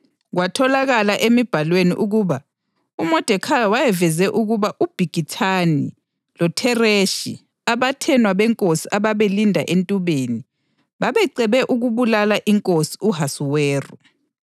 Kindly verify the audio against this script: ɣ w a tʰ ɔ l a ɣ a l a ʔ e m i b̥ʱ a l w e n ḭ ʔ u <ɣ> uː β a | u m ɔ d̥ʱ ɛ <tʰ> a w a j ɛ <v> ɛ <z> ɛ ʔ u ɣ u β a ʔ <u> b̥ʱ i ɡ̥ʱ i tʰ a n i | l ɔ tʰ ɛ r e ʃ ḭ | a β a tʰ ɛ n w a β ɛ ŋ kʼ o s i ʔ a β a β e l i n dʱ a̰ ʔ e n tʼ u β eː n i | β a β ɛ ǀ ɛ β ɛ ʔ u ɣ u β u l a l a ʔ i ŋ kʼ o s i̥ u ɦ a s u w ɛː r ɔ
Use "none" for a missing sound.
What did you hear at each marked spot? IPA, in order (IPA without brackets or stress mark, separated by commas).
ɣ, kʰ, v, z, u